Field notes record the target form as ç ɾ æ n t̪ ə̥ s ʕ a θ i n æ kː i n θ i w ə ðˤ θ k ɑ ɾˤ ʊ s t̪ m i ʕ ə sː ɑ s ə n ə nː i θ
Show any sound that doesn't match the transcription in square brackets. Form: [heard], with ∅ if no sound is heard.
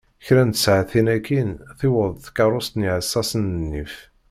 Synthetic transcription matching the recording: ç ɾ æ n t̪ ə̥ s ʕ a θ i n æ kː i n θ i w ə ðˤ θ k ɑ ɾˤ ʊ s t̪ [n] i ʕ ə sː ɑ s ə n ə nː i [f]